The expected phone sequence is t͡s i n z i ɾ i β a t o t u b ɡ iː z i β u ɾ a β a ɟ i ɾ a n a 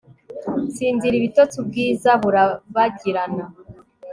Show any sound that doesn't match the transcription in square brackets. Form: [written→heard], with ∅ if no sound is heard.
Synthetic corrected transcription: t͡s [i→iː] n z i ɾ i β [a→i] t o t u b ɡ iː z [i→a] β u ɾ a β a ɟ i ɾ a n a